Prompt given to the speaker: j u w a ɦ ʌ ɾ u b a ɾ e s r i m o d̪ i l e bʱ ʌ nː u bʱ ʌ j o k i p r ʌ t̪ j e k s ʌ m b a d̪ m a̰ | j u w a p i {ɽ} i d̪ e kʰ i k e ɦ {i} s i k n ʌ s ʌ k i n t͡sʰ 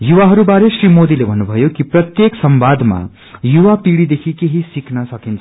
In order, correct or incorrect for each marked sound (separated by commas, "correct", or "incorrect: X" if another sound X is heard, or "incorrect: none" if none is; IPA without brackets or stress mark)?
correct, correct